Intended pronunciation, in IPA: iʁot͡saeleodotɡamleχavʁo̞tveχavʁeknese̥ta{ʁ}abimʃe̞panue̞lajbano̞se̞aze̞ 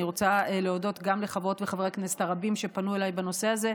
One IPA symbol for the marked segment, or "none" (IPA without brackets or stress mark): ʁ